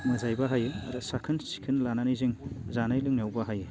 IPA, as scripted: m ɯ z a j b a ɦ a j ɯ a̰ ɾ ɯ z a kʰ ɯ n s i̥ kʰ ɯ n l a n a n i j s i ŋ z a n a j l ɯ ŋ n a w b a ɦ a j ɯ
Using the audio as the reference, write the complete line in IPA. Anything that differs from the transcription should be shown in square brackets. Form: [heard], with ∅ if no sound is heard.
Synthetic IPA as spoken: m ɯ z a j b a ɦ a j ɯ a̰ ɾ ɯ [s] a kʰ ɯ n s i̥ kʰ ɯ n l a n a n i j [z] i ŋ z a n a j l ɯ ŋ n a w b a ɦ a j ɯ